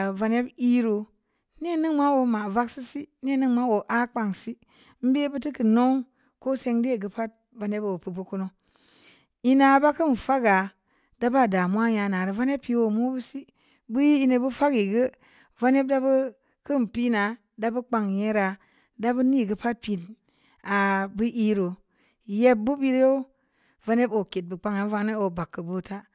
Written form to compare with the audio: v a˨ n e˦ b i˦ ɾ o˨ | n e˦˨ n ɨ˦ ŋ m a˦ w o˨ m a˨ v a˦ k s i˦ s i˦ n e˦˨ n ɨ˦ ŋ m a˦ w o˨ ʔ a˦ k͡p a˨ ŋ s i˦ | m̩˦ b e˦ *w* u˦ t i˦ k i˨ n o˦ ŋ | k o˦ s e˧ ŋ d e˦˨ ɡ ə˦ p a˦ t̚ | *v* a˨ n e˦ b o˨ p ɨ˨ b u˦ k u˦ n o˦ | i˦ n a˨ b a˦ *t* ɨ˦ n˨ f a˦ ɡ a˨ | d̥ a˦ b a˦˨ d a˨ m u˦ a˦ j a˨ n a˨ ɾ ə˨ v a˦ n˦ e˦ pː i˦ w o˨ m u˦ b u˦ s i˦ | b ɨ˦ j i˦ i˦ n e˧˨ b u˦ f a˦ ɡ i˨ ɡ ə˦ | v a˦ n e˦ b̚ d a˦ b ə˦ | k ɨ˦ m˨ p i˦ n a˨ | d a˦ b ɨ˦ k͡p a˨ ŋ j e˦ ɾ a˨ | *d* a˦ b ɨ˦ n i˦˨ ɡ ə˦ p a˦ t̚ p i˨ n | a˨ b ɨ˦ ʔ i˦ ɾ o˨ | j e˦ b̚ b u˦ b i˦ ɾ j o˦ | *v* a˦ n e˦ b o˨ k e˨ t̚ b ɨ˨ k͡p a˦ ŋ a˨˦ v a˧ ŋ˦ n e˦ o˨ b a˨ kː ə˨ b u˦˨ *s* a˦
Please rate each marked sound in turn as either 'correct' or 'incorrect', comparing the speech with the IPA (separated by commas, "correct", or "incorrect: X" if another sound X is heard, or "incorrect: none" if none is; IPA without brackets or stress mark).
incorrect: b, correct, incorrect: k, correct, correct, incorrect: t